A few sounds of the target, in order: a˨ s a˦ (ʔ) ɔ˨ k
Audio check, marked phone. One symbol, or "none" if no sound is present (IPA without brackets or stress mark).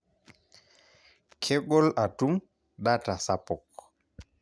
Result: p